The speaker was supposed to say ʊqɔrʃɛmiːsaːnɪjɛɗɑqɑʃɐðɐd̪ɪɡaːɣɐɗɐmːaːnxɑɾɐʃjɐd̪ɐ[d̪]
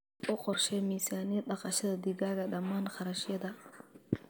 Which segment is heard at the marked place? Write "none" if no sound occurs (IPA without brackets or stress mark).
none